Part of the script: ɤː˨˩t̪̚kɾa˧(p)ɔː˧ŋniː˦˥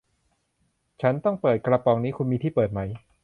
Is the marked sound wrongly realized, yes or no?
no